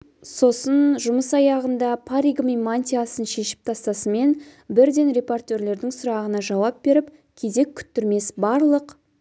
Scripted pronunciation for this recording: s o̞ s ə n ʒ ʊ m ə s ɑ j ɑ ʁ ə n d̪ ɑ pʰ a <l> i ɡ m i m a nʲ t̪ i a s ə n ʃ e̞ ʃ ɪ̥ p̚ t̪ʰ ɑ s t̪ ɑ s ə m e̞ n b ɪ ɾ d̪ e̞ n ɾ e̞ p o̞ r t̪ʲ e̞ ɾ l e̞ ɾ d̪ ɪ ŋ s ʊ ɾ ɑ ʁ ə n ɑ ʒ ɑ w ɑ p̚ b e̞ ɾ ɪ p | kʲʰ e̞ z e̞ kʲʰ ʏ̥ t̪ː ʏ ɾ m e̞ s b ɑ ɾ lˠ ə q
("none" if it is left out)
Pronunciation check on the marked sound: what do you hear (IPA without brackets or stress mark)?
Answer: ɾ